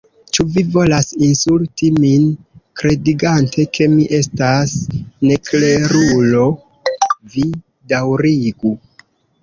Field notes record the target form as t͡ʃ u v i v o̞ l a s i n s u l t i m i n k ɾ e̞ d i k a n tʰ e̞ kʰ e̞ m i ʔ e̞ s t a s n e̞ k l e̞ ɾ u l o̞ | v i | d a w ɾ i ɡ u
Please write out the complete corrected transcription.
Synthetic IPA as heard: t͡ʃ u v i v o̞ l a s i n s u l t i m i n k ɾ e̞ d i ɡ a n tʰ e̞ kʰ e̞ m i ʔ e̞ s t a s n e̞ k l e̞ ɾ u l o̞ | v i | d a w ɾ i ɡ u

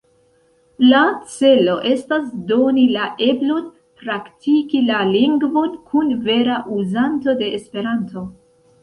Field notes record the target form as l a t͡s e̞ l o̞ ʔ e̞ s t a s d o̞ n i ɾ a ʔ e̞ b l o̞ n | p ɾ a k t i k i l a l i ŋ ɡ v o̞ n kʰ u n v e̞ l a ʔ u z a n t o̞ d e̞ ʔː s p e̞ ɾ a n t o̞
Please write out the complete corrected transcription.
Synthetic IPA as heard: l a t͡s e̞ l o̞ ʔ e̞ s t a s d o̞ n i l a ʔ e̞ b l o̞ n | p ɾ a k t i k i l a l i ŋ ɡ v o̞ n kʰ u n v e̞ ɾ a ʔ u z a n t o̞ d e̞ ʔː s p e̞ ɾ a n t o̞

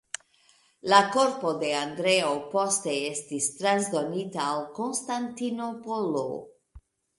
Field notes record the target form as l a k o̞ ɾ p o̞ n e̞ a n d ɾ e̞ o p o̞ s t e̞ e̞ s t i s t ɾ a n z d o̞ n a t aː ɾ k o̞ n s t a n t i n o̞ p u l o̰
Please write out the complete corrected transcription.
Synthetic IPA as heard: l a k o̞ ɾ p o̞ d e̞ a n d ɾ e̞ o p o̞ s t e̞ e̞ s t i s t ɾ a n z d o̞ n i t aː l k o̞ n s t a n t i n o̞ p o l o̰

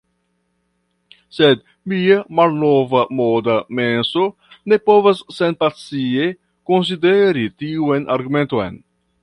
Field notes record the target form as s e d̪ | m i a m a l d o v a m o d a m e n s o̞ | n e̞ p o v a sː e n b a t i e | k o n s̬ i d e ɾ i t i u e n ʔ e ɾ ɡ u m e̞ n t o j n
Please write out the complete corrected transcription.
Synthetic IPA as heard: s e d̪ | m i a m a l n o v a m o d a m e n s o̞ | n e̞ p o v a sː e n p a t͡s i e | k o n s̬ i d e ɾ i t i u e n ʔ a ɾ ɡ u m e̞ n t o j n

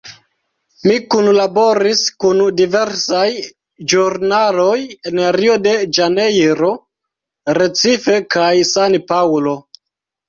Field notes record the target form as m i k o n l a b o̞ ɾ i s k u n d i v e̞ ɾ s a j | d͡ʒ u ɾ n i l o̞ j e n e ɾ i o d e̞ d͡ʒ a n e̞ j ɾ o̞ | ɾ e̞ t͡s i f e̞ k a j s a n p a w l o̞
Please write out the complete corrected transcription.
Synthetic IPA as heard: m i k u n l a b o̞ ɾ i s k u n d i v e̞ ɾ s a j | d͡ʒ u ɾ n a l o̞ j e n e ɾ i o d e̞ d͡ʒ a n e̞ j ɾ o̞ | ɾ e̞ t͡s i f e̞ k a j s a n p a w l o̞

